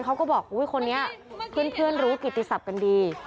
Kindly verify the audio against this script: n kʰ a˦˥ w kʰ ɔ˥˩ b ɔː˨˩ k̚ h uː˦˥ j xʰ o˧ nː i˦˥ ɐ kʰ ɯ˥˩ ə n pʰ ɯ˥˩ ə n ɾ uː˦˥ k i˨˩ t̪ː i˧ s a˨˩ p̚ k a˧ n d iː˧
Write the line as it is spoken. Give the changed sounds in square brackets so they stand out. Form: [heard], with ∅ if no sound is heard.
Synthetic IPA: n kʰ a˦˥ w [k] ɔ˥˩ b ɔː˨˩ k̚ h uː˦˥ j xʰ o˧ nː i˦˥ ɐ [pʰ] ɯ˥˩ ə n pʰ ɯ˥˩ ə n ɾ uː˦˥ k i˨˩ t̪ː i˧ s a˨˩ p̚ k a˧ n d iː˧